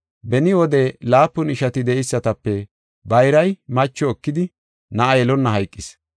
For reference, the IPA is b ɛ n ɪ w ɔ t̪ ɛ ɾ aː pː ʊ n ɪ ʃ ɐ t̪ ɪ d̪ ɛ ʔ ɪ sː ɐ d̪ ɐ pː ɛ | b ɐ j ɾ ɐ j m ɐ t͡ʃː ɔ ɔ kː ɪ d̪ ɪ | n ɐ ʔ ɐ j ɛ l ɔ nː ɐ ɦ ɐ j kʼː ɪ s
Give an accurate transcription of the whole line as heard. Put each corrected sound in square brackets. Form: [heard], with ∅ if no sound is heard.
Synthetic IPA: b ɛ n ɪ w ɔ [d̪] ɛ [l] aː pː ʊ n ɪ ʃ ɐ t̪ ɪ d̪ ɛ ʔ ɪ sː ɐ [t̪] ɐ pː ɛ | b ɐ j ɾ ɐ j m ɐ t͡ʃː ɔ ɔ kː ɪ d̪ ɪ | n ɐ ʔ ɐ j ɛ l ɔ nː ɐ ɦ ɐ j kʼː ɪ s